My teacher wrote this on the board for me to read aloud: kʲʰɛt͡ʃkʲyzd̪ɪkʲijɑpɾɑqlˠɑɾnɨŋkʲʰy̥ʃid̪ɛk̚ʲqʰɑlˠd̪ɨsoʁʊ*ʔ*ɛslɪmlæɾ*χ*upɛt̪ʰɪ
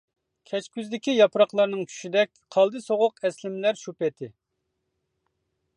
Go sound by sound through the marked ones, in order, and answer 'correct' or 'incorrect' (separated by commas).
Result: incorrect, incorrect